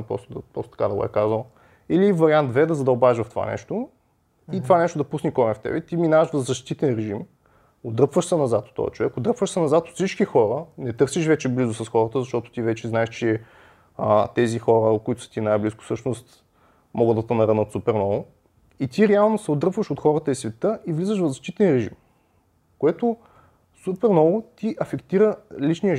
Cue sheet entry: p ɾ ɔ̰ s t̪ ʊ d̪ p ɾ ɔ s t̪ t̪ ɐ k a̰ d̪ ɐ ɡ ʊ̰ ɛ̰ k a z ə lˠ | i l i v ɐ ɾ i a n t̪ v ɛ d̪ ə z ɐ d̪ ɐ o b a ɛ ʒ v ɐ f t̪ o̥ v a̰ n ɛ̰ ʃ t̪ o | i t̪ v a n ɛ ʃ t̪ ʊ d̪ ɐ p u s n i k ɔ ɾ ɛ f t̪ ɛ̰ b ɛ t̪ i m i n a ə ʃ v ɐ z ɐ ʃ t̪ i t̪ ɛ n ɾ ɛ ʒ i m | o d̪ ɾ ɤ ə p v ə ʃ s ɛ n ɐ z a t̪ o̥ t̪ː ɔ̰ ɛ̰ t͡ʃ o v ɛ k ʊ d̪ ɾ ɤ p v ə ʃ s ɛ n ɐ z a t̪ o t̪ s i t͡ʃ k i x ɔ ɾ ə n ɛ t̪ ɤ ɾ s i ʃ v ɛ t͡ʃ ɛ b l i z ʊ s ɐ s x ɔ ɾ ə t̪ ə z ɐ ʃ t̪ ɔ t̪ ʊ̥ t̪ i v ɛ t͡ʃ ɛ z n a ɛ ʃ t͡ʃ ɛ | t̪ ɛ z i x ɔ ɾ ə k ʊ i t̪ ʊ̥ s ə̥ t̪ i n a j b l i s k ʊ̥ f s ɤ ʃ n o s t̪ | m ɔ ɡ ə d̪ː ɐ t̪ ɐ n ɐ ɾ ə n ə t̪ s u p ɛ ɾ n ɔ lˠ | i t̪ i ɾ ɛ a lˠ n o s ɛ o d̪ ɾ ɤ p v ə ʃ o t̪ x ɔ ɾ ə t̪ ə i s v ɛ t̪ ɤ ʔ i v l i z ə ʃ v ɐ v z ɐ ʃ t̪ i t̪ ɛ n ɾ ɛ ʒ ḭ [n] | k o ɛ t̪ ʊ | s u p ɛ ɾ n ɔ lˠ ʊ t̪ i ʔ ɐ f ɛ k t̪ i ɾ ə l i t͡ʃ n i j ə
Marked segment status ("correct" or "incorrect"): incorrect